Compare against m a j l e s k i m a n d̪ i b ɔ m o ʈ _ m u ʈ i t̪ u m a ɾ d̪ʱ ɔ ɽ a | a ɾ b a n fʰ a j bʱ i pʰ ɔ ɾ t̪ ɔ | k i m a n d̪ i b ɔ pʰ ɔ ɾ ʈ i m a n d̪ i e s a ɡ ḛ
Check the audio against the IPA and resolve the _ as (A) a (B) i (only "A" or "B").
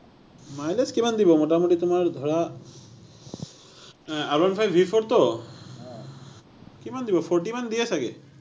A